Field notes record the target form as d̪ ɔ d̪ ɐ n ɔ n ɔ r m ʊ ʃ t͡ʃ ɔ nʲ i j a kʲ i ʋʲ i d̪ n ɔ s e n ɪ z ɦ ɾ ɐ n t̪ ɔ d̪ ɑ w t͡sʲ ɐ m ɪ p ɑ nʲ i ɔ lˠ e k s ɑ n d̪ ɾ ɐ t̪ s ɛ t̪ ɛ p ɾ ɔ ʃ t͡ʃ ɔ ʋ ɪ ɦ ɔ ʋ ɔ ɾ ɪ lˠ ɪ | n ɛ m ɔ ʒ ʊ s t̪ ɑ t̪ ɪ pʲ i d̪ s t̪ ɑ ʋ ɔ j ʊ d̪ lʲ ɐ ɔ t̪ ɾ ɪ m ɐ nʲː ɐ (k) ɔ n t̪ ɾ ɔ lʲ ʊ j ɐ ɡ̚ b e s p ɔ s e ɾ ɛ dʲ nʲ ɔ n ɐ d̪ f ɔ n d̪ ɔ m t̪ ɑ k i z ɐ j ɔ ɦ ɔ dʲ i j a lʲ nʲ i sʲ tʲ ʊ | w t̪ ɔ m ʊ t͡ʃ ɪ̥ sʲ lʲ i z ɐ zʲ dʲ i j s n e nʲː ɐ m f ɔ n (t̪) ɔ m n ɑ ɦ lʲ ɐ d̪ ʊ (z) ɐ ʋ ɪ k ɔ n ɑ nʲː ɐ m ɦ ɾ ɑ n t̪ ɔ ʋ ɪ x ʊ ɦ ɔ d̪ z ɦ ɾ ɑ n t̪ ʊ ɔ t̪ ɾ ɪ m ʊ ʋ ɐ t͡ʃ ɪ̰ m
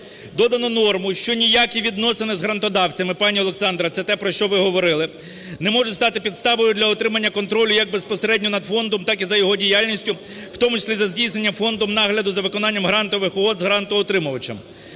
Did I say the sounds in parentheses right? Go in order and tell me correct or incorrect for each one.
correct, incorrect: d̪, correct

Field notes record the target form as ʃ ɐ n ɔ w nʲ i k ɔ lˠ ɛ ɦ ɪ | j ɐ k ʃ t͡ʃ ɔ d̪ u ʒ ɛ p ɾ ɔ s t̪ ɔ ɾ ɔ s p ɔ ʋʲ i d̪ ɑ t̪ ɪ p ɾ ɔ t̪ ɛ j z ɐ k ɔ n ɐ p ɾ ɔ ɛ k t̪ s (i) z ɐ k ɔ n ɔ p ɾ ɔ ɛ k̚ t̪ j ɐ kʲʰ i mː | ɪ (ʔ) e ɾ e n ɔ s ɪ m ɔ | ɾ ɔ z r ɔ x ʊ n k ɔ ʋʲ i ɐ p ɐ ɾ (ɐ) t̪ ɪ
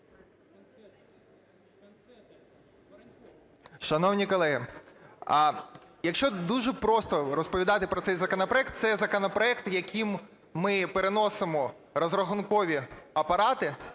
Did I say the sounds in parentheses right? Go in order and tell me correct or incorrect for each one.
incorrect: ɛ, incorrect: p, incorrect: ɑ

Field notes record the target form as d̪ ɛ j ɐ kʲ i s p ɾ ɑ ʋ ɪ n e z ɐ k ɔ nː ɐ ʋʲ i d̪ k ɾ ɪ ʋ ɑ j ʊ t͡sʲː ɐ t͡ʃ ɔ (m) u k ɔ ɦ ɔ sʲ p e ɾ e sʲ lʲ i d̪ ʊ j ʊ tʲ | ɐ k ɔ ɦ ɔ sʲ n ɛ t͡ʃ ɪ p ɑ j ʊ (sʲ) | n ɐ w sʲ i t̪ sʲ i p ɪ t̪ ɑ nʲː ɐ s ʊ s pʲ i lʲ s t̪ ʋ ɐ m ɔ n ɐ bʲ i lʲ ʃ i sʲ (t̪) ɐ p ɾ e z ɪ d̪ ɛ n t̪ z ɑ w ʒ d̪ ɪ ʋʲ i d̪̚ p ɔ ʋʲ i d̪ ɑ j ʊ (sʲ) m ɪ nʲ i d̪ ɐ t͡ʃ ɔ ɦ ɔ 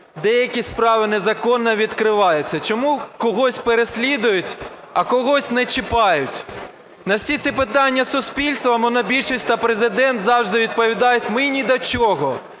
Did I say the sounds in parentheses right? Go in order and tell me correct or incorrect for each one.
correct, incorrect: tʲ, correct, incorrect: tʲ

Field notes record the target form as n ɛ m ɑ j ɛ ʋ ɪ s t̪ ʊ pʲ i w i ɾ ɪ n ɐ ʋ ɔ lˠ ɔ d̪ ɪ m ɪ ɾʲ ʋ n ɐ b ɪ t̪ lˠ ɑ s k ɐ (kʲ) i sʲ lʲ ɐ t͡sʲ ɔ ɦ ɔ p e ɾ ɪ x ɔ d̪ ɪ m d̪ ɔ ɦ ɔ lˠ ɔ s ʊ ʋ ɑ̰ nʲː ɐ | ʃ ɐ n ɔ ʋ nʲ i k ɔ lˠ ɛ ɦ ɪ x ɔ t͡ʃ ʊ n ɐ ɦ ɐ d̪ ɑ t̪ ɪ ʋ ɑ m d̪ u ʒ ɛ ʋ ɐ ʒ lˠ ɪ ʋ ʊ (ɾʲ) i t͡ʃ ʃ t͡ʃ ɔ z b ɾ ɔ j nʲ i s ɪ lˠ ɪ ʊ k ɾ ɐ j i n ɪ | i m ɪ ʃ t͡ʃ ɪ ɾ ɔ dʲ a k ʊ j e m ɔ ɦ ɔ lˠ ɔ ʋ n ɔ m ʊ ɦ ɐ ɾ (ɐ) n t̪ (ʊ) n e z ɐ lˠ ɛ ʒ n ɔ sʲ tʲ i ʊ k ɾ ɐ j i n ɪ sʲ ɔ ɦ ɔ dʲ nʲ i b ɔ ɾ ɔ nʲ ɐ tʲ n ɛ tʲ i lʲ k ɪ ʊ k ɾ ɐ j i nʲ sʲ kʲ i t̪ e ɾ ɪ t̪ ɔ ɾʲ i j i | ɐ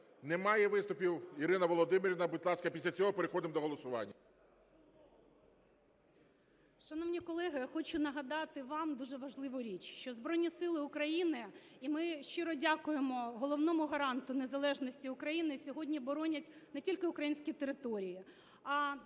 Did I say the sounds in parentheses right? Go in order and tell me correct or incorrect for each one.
incorrect: pʲ, correct, incorrect: ɑ, correct

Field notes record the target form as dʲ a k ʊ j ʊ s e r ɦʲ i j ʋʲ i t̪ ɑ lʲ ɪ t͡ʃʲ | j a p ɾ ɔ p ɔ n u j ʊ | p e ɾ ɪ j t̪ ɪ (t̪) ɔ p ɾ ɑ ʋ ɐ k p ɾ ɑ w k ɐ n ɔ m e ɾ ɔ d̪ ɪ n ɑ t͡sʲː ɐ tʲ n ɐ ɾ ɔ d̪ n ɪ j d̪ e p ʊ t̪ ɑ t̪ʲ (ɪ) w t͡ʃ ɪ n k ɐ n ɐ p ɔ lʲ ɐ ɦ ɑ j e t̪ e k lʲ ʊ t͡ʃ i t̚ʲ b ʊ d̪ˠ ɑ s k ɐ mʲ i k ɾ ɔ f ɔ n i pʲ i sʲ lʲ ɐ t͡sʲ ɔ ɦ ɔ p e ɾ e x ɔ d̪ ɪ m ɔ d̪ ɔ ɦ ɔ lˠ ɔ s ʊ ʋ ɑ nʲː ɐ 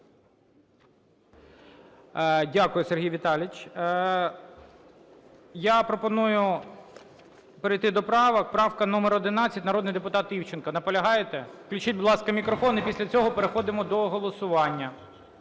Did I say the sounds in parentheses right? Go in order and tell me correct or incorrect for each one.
incorrect: d̪, incorrect: i

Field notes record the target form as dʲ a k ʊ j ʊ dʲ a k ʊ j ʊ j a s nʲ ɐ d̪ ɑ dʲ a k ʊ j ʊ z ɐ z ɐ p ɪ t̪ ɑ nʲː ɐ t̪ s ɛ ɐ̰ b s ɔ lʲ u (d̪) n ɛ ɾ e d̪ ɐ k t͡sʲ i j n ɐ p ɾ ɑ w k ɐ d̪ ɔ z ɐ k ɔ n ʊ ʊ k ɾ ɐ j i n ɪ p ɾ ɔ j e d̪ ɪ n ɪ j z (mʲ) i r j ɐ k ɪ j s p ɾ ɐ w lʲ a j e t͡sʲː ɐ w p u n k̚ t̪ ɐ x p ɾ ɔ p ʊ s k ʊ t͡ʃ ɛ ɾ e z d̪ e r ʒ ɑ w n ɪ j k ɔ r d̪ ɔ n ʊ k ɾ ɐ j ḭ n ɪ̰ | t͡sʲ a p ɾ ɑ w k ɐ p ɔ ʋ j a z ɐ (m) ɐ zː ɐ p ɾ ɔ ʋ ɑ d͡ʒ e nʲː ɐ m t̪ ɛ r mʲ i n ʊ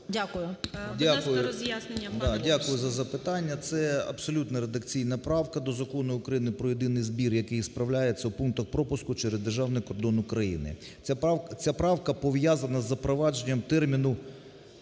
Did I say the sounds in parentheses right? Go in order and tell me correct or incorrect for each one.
incorrect: t̪, incorrect: bʲ, incorrect: n

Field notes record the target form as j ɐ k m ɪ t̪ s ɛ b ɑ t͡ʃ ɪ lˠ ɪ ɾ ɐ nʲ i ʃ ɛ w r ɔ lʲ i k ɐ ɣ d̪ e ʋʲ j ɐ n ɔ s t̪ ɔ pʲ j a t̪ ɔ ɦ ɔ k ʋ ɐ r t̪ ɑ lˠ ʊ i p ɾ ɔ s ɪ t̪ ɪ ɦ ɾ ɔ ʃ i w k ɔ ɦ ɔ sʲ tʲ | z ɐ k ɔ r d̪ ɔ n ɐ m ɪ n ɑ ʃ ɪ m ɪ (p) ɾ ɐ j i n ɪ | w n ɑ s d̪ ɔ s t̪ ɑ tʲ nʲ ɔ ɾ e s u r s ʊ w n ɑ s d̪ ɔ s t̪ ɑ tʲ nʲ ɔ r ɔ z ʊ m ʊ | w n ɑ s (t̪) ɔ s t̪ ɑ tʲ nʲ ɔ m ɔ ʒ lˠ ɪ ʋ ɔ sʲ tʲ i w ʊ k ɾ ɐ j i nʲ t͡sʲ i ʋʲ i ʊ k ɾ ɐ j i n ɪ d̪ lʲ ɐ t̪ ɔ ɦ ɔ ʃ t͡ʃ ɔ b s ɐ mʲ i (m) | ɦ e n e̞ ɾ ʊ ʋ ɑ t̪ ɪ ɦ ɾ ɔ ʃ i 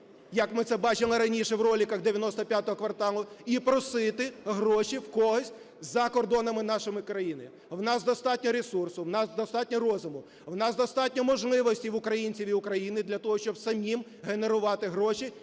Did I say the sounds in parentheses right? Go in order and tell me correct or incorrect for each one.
incorrect: k, incorrect: d̪, correct

